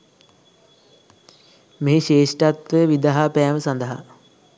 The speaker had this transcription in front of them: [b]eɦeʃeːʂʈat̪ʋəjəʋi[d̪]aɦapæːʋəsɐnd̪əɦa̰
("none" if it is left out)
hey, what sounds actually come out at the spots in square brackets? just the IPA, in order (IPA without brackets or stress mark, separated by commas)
m, d̪